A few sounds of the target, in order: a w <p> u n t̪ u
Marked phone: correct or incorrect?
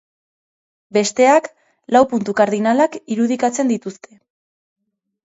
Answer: correct